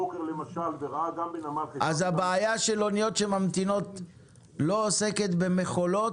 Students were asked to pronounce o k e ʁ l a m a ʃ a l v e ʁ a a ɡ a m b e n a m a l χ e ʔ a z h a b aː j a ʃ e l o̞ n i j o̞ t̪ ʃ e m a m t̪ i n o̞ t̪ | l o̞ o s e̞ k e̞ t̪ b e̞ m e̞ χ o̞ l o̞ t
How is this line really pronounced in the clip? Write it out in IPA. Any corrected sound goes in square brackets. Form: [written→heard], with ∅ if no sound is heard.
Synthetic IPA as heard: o k e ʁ l [a→e] m a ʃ a l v e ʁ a a ɡ a m b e n a m a l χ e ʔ a z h a b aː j a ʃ e l o̞ n i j o̞ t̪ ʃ e m a m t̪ i n o̞ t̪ | l o̞ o s e̞ k e̞ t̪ b e̞ m e̞ χ o̞ l o̞ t